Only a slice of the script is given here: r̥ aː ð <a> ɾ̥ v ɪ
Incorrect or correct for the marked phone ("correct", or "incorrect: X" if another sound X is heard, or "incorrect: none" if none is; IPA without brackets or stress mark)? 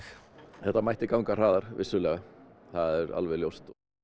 correct